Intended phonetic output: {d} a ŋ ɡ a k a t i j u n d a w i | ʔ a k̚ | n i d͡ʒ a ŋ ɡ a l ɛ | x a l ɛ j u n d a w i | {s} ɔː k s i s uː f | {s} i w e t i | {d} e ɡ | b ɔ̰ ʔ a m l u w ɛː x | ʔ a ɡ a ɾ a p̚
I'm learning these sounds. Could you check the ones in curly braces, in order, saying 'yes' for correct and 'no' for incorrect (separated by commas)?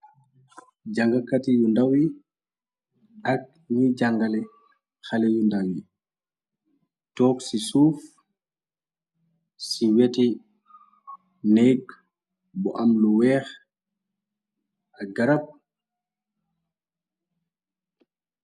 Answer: no, no, yes, no